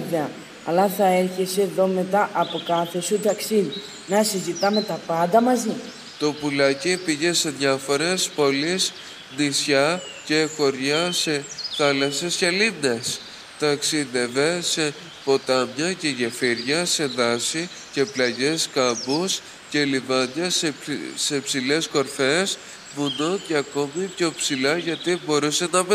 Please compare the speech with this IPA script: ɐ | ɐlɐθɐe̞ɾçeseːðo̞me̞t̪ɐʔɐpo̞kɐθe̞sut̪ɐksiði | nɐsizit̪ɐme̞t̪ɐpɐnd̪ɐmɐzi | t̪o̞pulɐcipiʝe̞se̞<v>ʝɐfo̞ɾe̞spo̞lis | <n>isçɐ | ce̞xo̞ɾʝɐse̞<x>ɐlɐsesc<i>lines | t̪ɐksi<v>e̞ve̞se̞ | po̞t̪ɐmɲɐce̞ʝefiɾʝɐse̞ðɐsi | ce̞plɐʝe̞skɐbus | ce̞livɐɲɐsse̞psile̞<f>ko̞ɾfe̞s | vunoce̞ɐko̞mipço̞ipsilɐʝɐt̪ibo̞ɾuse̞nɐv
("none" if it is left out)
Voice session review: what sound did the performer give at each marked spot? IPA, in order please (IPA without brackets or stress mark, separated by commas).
ð, n, θ, e, ð, s